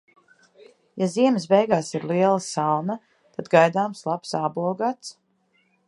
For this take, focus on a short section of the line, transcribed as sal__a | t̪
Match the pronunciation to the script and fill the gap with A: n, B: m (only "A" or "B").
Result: A